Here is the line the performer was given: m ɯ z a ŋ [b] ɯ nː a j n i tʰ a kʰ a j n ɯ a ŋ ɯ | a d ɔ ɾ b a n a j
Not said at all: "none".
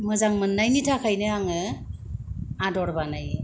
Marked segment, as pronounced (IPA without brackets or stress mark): m